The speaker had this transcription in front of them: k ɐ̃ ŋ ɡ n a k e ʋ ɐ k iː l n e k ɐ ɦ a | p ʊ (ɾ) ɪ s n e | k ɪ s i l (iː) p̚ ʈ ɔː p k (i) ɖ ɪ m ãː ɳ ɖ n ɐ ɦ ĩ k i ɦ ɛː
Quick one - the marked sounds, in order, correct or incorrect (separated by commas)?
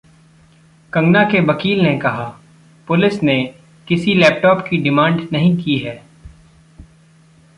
incorrect, incorrect, correct